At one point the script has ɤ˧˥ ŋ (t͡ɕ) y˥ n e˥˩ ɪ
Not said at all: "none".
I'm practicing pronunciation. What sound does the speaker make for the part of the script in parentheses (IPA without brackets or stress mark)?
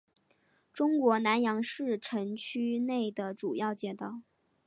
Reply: t͡ɕʰ